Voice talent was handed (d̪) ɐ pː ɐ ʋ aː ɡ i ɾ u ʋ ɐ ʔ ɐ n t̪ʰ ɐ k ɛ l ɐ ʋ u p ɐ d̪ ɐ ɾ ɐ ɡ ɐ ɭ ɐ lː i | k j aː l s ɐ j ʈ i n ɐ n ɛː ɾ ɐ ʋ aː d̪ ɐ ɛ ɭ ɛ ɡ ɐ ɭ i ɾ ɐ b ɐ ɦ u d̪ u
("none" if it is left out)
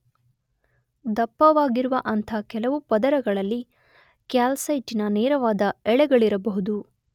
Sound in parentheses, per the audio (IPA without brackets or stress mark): d̪